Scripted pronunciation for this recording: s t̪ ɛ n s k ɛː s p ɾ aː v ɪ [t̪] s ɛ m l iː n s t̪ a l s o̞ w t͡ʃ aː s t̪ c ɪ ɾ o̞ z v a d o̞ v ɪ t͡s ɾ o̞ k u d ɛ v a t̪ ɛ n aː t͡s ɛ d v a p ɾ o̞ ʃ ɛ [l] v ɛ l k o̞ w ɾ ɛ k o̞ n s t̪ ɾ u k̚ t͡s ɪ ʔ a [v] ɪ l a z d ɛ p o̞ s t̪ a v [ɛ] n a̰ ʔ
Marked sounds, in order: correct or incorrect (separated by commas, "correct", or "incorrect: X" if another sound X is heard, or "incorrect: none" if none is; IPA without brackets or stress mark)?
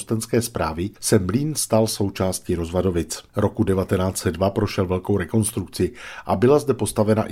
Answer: incorrect: none, correct, incorrect: b, correct